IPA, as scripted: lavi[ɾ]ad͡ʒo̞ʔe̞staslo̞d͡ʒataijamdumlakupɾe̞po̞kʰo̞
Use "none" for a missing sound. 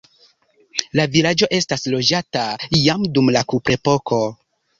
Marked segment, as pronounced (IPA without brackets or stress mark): l